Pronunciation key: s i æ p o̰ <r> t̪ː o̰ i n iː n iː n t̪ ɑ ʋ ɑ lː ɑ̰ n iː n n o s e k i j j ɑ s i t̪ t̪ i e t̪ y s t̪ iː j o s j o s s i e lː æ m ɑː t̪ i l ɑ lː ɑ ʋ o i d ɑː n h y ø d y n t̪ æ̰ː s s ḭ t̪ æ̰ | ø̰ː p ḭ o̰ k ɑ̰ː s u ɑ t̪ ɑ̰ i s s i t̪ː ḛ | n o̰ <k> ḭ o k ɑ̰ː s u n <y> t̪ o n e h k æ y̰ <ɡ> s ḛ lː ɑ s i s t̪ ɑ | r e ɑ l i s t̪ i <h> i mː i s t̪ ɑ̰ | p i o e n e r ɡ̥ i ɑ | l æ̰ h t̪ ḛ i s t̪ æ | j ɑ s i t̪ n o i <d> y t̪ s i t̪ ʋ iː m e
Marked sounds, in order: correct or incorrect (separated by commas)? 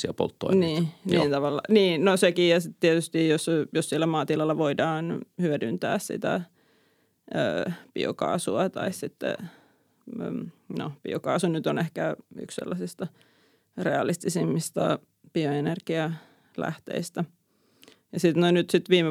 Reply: incorrect, incorrect, correct, incorrect, incorrect, incorrect